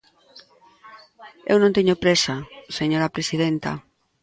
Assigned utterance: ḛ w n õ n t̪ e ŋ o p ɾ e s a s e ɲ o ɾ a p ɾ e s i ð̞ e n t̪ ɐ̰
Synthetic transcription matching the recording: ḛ w n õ n t̪ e ɲ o p ɾ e s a s e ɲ o ɾ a p ɾ e s i ð̞ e n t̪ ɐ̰